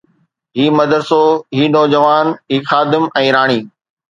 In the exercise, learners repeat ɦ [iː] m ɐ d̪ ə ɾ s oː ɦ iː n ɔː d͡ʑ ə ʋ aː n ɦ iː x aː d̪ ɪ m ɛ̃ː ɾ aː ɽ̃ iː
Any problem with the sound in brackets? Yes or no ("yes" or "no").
no